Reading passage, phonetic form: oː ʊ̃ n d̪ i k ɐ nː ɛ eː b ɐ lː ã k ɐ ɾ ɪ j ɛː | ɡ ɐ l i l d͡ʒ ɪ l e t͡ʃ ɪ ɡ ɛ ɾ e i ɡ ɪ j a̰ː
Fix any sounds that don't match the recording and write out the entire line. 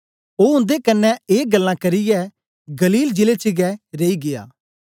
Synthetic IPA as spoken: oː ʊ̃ n d̪ e k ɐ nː ɛ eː ɡ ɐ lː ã k ɐ ɾ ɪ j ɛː | ɡ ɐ l iː l d͡ʒ ɪ l e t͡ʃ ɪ ɡ ɛ ɾ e i ɡ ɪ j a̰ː